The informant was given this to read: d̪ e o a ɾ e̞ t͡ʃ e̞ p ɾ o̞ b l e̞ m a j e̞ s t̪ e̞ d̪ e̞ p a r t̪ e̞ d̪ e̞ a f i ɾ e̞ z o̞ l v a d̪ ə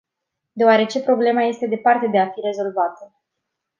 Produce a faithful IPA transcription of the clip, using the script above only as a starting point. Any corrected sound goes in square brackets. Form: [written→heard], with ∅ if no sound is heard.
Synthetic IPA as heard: d̪ e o a ɾ e̞ t͡ʃ e̞ p ɾ o̞ b l e̞ m a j e̞ s t̪ e̞ d̪ e̞ p a r t̪ e̞ d̪ e̞ a f i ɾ e̞ z o̞ l v a [d̪→t̪] ə